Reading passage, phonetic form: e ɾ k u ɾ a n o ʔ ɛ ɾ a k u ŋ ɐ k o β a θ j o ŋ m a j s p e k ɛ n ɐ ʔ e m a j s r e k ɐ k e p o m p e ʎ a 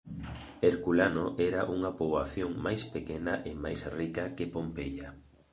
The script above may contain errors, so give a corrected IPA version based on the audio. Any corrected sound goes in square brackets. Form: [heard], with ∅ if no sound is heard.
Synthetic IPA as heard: e ɾ k u [l] a n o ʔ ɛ ɾ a [ʔ] u ŋ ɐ [p] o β a θ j o ŋ m a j s p e k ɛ n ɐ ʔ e m a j s r [i] k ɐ k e p o m p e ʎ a

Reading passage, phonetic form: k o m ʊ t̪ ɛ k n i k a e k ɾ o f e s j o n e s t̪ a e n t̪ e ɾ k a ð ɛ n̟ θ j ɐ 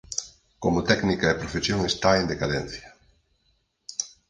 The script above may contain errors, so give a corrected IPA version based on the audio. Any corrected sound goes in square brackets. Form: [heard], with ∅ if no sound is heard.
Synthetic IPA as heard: k o m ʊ t̪ ɛ k n i k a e [p] ɾ o f e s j o [ŋ] e s t̪ a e n [d̪] e [∅] k a ð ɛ n̟ θ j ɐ

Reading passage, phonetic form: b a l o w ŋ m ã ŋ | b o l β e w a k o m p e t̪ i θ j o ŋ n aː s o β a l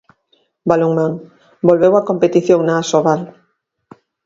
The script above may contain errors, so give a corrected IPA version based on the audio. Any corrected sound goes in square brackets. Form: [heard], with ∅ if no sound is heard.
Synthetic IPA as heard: b a l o [∅] ŋ m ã ŋ | b o l β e w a k o m p e t̪ i θ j o ŋ n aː s o β a l

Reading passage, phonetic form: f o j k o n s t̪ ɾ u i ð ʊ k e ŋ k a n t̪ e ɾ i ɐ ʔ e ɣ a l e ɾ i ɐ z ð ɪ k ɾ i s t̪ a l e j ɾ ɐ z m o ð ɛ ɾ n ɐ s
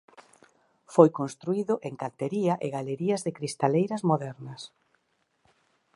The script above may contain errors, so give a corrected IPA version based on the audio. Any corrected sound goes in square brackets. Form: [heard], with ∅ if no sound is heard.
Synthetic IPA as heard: f o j k o n s t̪ ɾ u i ð ʊ [ʔ] e ŋ k a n t̪ e ɾ i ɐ ʔ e ɣ a l e ɾ i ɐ z ð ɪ k ɾ i s t̪ a l e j ɾ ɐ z m o ð ɛ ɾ n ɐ s

